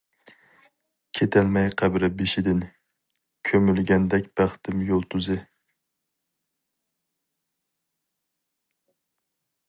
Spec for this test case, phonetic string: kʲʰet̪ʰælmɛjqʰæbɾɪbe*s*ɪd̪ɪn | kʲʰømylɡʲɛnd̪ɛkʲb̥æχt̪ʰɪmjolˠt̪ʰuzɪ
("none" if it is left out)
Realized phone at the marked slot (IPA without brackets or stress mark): ʃ